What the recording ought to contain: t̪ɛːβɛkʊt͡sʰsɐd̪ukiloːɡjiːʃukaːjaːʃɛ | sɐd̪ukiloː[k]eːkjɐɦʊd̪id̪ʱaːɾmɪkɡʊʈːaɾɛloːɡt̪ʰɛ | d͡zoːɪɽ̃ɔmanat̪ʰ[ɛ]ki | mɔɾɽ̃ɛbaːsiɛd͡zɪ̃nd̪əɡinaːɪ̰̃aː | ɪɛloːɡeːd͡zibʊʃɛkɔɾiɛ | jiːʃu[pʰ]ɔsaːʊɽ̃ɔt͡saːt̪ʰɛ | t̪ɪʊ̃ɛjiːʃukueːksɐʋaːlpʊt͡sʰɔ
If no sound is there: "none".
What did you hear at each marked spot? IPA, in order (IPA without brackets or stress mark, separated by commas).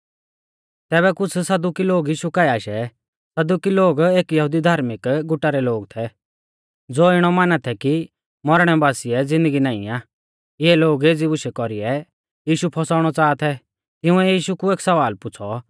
ɡ, ɛ, pʰ